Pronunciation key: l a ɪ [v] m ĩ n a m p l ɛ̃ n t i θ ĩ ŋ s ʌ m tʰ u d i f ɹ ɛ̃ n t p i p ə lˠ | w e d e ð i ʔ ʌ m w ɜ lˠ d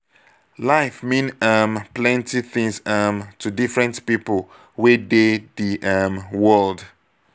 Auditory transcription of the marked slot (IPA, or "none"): f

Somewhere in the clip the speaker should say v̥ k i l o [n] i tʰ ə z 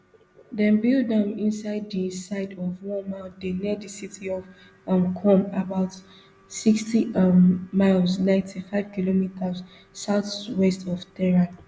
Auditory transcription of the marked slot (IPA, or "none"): m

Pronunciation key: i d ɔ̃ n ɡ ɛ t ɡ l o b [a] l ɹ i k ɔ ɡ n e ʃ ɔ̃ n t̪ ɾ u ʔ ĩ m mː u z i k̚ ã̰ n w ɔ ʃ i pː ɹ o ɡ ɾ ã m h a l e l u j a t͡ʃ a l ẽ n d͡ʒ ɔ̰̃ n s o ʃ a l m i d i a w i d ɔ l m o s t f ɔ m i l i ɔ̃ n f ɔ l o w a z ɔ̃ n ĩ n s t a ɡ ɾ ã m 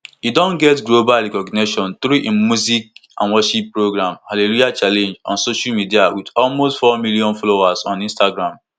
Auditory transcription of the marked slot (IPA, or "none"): a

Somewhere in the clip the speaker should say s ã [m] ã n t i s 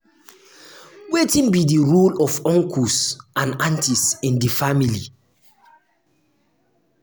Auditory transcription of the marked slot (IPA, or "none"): n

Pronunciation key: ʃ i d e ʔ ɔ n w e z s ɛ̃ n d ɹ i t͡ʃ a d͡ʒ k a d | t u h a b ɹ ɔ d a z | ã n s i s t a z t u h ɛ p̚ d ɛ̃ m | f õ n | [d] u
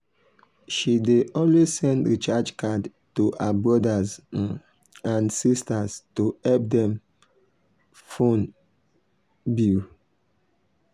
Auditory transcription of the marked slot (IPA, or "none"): b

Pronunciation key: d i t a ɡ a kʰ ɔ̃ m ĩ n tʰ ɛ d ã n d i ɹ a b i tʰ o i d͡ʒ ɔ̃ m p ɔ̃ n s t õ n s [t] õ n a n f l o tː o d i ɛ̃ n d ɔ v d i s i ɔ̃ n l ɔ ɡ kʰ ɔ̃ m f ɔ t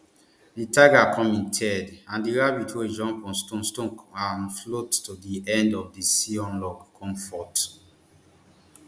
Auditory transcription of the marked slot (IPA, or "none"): t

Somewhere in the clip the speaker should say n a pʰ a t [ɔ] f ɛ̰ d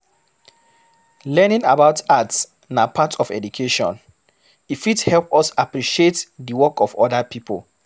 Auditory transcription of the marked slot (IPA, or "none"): ɔ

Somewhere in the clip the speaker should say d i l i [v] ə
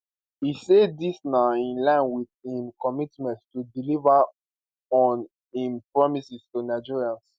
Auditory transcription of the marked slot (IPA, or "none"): v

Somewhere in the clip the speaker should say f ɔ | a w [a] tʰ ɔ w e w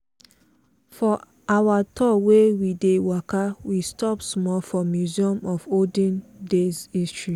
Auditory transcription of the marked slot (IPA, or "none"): a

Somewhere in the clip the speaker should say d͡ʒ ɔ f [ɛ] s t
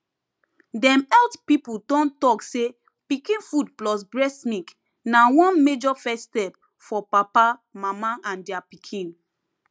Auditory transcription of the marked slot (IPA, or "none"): ɛ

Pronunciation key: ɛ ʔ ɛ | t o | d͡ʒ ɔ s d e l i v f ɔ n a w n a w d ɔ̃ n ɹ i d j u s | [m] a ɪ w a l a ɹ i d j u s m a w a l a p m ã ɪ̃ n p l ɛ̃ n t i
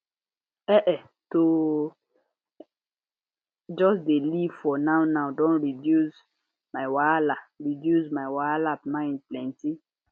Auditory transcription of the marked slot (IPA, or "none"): m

